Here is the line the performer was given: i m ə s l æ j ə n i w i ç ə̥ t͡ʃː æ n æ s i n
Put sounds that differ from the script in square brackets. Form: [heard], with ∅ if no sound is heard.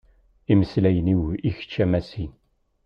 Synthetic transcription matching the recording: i m ə s l æ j ə n i w i ç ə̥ t͡ʃː æ [m] æ s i n

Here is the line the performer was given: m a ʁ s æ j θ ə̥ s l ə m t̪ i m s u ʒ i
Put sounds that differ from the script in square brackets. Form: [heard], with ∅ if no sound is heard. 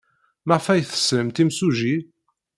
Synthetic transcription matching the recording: m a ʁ [f] æ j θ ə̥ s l ə m t̪ i m s u ʒ i

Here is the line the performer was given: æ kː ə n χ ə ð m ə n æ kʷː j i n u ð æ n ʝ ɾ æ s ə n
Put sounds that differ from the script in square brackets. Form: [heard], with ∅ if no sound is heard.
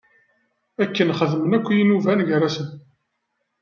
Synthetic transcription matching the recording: æ kː ə n χ ə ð m ə n æ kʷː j i n u [v] æ n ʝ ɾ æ s ə n

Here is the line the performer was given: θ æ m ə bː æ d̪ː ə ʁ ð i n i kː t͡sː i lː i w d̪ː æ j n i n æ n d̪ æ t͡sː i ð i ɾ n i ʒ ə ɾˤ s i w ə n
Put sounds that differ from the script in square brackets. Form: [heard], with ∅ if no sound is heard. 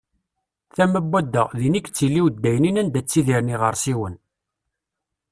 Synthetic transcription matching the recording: θ æ m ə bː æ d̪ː ə ʁ ð i n i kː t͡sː i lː i w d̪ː æ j n i n æ n d̪ æ t͡sː i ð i ɾ n i [ʁ] ə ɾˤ s i w ə n

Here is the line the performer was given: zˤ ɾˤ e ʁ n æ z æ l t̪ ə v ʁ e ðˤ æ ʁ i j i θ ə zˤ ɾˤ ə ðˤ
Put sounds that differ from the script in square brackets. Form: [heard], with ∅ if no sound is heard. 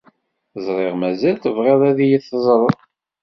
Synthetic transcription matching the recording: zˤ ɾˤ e ʁ [m] æ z æ l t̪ ə v ʁ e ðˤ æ [ð] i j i θ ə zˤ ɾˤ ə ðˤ

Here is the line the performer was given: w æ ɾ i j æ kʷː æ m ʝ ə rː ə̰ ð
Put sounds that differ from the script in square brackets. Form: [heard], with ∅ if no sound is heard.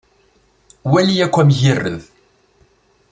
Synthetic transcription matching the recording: w æ [l] i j æ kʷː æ m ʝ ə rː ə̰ ð

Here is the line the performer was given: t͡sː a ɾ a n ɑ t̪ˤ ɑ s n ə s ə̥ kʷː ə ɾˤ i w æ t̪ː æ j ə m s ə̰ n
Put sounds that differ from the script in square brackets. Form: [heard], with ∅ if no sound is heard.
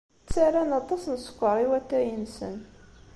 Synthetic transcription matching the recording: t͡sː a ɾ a n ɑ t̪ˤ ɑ s n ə s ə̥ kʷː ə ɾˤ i w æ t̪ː æ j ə [n] s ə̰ n

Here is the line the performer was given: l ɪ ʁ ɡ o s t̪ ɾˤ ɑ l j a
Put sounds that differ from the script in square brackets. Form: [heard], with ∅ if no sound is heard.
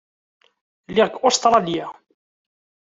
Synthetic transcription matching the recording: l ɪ ʁ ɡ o s t̪ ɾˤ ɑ l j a

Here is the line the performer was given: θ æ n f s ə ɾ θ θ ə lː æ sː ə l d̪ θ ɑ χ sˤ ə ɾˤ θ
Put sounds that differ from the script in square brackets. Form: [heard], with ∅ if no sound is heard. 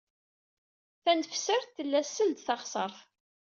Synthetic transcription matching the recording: θ æ n f s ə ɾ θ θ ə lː æ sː ə l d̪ θ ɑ χ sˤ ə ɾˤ θ

